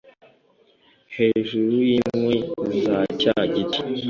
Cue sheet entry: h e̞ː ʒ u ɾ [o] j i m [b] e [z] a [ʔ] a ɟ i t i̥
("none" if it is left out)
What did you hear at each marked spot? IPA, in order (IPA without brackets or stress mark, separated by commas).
u, w, z, c